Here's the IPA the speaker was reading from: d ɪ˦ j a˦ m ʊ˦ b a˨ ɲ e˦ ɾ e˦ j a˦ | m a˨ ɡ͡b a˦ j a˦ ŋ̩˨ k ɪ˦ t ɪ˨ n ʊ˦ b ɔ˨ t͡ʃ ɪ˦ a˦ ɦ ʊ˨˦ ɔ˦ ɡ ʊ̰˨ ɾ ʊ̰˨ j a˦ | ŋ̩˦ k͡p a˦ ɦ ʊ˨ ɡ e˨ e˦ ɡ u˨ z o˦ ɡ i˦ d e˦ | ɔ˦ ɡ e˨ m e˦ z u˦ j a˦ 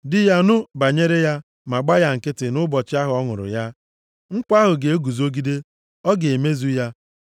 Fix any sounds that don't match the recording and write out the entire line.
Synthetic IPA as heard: d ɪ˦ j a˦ n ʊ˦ b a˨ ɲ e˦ ɾ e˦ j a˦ | m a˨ ɡ͡b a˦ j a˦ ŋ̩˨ k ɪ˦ t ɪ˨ n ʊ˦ b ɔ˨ t͡ʃ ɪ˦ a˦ ɦ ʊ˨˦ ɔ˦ ŋ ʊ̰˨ ɾ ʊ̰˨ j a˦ | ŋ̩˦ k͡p a˦ ɦ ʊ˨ ɡ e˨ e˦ ɡ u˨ z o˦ ɡ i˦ d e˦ | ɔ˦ ɡ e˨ m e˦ z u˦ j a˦

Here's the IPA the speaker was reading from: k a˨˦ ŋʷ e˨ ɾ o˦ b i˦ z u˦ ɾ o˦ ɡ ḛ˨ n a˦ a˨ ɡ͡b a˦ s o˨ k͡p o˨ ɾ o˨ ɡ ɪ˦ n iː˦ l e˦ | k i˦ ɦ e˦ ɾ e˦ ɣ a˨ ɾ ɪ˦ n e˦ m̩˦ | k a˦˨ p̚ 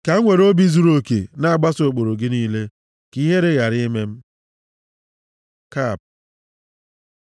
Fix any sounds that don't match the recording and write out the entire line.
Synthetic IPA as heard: k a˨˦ ŋʷ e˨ ɾ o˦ b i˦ z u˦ ɾ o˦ k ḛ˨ n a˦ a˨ ɡ͡b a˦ s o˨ k͡p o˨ ɾ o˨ ɡ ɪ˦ n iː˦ l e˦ | k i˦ ɦ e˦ ɾ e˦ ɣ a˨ ɾ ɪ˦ m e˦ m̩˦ | k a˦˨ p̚

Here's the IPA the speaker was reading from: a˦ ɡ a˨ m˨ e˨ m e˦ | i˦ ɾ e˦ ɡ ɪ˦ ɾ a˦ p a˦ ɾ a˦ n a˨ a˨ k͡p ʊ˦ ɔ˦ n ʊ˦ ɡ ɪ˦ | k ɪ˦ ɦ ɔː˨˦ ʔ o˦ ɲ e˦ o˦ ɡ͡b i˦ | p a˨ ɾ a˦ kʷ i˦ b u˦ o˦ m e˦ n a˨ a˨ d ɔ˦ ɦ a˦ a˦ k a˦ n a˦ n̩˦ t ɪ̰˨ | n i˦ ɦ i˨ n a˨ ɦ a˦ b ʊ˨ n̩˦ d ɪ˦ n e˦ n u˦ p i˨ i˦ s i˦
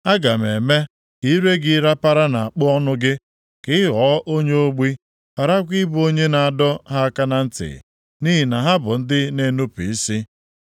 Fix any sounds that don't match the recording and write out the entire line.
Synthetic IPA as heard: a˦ ɡ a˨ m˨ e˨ m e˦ | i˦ ɾ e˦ ɡ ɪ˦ ɾ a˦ p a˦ ɾ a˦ n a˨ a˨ k͡p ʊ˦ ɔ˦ n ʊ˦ ɡ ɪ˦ | k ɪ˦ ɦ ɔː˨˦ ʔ o˦ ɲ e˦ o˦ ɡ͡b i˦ | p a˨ ɾ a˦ kʷ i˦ b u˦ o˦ ɲ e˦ n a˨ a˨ d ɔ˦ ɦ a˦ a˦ k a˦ n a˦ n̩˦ t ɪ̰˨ | n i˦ ɦ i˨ n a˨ ɦ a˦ b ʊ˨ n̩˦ d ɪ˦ n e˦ n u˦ p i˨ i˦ s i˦

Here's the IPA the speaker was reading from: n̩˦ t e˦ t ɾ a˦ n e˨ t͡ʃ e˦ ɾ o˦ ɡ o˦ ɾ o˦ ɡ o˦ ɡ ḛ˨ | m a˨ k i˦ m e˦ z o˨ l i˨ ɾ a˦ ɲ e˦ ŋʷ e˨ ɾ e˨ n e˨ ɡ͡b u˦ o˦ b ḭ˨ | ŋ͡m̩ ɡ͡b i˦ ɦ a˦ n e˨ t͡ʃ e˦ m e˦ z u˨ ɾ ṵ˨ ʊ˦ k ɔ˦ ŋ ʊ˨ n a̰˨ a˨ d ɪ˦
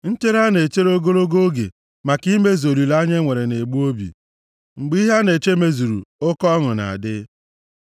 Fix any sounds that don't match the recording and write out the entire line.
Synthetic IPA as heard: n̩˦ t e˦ ɾ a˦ n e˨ t͡ʃ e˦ ɾ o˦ ɡ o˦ ɾ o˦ ɡ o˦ ɡ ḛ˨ | m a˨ k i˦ m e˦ z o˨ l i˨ l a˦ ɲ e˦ ŋʷ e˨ ɾ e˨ n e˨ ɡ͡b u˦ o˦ b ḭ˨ | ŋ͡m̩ ɡ͡b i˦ ɦ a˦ n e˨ t͡ʃ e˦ m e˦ z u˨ ɾ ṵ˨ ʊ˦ k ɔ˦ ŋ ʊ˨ n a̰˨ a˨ d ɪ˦

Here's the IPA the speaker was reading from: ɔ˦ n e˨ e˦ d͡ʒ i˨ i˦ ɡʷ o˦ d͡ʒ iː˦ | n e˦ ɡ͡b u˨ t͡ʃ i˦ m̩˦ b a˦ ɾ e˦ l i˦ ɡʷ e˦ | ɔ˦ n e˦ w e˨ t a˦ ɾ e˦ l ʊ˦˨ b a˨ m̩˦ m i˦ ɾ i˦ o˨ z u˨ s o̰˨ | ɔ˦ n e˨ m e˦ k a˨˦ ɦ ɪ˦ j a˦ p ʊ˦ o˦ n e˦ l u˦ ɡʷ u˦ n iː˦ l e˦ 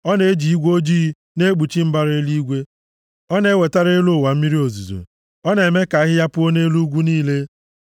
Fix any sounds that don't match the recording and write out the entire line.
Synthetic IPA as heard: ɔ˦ n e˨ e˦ d͡ʒ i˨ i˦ ɡʷ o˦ d͡ʒ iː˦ | n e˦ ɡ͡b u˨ t͡ʃ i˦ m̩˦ b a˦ ɾ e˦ l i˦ ɡʷ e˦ | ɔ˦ n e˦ w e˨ t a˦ ɾ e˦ l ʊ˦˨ w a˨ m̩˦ m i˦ ɾ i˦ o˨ z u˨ z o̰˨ | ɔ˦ n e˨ m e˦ k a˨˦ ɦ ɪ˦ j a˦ p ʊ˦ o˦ n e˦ l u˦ ɡʷ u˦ n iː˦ l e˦

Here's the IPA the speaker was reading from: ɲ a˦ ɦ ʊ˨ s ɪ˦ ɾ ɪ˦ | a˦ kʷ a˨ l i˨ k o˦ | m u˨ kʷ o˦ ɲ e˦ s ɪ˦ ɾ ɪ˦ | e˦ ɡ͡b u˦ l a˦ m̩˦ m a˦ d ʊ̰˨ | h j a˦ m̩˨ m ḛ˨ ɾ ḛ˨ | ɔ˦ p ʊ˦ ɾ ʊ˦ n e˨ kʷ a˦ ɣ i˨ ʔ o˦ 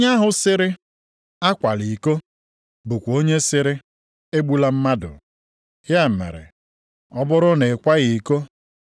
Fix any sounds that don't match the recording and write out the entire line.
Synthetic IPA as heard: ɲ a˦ ɦ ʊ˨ s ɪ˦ ɾ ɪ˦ | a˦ kʷ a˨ l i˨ k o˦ | b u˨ kʷ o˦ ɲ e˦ s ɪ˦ ɾ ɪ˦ | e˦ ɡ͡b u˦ l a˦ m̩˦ m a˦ d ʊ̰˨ | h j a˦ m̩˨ m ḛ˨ ɾ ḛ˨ | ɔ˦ b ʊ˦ ɾ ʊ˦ n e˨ kʷ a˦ ɣ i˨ k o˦

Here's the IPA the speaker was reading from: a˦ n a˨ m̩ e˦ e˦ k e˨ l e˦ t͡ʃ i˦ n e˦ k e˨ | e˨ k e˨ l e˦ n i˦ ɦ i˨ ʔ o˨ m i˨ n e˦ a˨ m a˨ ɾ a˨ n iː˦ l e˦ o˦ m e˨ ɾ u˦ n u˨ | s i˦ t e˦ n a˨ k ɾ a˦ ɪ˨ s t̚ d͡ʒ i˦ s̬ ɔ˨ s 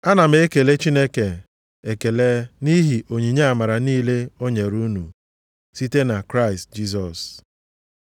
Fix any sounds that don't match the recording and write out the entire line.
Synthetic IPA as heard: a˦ n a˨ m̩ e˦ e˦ k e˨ l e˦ t͡ʃ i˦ n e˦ k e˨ | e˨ k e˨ l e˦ n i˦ ɦ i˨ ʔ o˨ ɲ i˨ ɲ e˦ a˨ m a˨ ɾ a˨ n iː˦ l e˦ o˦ ɲ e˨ ɾ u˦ n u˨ | s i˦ t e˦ n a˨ k ɾ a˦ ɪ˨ s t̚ d͡ʒ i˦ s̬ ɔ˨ s

